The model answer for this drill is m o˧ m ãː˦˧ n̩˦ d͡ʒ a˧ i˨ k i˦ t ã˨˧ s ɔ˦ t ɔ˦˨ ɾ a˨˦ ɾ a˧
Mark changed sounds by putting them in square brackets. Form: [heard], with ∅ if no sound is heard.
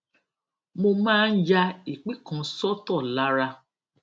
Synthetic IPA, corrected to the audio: m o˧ m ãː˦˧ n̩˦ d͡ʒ a˧ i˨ [k͡p] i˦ [k] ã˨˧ s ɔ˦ t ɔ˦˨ [l] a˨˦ ɾ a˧